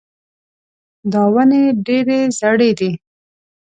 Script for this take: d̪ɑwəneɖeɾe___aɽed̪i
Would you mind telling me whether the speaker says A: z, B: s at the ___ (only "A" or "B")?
A